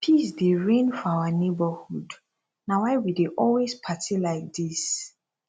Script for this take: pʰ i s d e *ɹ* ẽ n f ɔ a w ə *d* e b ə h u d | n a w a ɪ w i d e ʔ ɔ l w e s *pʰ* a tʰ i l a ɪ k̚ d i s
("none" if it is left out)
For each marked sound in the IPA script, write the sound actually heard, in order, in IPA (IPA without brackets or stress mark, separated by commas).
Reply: ɹ, n, pʰ